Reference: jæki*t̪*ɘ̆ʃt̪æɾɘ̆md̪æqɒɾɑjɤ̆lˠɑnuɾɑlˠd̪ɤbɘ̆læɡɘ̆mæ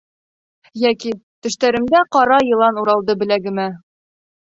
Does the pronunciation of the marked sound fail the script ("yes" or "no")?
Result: no